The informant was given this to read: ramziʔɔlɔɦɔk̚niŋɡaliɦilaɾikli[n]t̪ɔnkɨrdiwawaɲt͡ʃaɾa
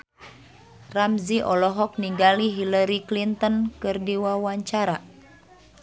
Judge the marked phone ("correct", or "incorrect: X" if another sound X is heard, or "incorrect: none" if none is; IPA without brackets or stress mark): correct